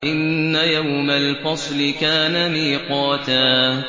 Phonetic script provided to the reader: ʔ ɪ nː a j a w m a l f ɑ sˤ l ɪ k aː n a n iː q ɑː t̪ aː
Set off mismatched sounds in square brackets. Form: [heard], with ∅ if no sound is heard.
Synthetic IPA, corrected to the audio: ʔ ɪ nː a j a w m a l f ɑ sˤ l ɪ k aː n a [m] iː q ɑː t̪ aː